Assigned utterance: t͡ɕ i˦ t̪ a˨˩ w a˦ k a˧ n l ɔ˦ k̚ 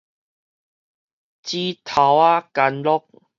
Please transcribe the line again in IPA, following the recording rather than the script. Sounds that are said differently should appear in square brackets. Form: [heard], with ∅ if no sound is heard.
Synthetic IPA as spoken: t͡ɕ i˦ [t̪ʰ] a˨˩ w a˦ k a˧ n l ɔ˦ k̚